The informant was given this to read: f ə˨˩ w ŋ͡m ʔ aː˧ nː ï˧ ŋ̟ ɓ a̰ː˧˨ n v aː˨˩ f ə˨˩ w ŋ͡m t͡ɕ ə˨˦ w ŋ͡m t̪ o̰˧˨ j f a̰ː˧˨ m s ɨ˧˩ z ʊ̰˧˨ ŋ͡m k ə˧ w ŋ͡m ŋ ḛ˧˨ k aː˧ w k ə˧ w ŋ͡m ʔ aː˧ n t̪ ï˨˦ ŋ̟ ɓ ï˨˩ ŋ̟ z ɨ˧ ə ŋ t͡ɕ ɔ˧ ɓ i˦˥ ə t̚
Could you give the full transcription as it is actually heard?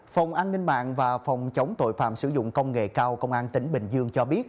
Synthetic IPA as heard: f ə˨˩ w ŋ͡m ʔ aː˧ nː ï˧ ŋ̟ ɓ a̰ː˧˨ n v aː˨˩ f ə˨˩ w ŋ͡m t͡ɕ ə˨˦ w ŋ͡m t̪ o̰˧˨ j f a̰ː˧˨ m s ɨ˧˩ z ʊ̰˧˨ ŋ͡m k ə˧ w ŋ͡m ŋ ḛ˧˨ k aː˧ w k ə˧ w ŋ͡m ʔ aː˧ n t̪ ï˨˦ ŋ̟ ɓ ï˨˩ ŋ̟ z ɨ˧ ə ŋ t͡ɕ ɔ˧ ɓ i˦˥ ə t̚